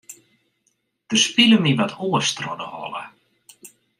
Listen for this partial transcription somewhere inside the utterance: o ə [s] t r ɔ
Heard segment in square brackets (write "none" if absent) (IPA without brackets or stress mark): s